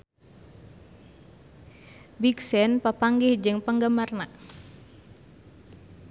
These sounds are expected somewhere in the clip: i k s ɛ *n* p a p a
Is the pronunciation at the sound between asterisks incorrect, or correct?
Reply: correct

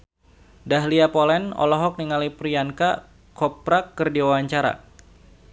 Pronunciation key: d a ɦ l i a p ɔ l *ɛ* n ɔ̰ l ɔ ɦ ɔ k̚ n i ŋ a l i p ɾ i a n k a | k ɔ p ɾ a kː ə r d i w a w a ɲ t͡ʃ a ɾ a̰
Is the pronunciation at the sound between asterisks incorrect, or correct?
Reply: correct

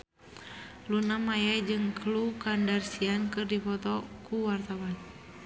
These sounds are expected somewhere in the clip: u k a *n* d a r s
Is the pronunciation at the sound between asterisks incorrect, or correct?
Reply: correct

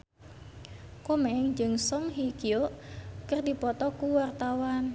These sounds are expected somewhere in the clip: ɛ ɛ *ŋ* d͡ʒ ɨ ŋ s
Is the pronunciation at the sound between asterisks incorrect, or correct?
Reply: correct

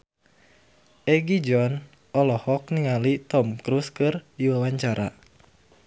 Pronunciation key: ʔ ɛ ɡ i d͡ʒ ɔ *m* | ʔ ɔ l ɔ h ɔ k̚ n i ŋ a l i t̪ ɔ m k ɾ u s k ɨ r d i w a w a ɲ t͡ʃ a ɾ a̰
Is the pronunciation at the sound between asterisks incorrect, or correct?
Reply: incorrect: n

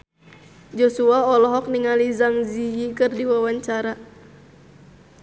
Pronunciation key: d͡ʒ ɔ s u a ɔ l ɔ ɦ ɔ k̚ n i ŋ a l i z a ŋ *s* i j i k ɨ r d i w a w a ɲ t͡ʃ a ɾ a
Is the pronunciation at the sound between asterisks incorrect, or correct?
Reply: incorrect: z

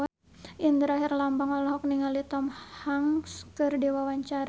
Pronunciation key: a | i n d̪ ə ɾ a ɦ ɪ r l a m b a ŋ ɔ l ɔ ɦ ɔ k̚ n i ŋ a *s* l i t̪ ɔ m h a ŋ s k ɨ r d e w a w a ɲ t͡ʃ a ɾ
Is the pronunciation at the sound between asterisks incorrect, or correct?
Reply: incorrect: none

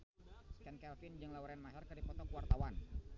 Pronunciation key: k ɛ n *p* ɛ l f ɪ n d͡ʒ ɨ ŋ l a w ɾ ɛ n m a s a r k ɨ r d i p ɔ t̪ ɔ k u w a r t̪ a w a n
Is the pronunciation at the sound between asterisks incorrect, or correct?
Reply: incorrect: k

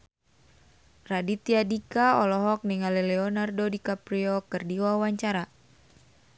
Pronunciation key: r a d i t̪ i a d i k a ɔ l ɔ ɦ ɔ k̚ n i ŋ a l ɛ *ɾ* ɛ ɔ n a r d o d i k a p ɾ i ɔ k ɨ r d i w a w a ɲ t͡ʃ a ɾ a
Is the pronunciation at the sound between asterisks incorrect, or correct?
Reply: incorrect: l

